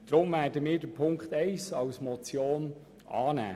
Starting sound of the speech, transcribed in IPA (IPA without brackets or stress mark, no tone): d̥